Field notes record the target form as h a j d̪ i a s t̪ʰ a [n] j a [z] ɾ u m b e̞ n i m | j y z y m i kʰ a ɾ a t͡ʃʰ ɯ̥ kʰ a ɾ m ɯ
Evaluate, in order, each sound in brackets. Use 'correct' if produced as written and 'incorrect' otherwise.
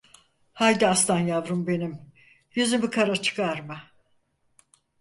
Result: correct, incorrect

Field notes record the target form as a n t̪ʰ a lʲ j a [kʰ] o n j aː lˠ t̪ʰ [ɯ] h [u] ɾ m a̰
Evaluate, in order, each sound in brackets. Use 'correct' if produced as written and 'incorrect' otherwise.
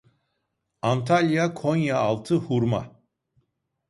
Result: correct, correct, correct

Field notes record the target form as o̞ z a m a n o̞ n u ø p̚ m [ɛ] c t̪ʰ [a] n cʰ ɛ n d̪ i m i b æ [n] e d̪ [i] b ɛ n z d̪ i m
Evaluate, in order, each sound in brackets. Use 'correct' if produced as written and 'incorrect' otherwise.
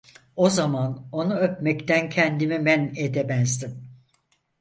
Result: correct, incorrect, correct, incorrect

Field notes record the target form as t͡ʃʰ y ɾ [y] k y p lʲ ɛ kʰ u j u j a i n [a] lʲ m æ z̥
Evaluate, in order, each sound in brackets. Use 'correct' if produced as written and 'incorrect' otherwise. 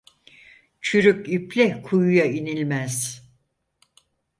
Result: correct, incorrect

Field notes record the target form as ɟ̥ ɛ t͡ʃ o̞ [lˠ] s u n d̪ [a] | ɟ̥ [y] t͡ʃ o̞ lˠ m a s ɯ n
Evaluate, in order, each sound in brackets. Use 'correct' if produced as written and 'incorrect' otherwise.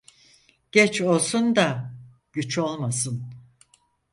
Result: correct, correct, correct

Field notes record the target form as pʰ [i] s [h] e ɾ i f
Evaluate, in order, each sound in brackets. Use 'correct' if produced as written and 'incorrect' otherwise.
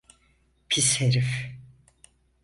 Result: correct, correct

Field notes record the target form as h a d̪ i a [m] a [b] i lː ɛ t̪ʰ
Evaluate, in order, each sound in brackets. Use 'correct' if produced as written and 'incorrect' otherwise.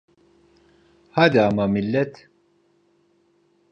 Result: correct, incorrect

